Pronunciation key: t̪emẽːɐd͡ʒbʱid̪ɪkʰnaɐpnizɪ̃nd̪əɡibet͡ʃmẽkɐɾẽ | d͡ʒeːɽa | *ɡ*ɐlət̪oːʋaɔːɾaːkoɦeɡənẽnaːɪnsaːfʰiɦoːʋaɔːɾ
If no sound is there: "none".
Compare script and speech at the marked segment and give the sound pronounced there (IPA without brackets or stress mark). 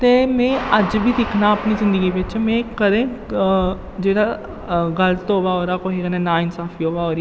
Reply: ɡ